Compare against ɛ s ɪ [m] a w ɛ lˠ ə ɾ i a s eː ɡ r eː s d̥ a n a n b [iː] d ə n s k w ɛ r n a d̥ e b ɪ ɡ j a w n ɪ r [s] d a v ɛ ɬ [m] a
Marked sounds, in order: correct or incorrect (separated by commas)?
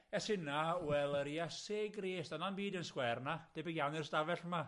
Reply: incorrect, correct, correct, correct